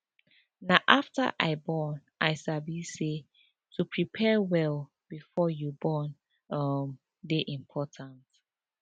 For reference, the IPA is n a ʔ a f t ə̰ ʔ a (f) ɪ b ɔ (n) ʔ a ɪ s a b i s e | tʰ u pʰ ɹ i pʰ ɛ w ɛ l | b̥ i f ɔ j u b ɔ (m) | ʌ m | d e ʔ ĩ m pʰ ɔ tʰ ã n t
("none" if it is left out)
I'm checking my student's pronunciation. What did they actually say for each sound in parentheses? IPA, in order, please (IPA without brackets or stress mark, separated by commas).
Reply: none, n, n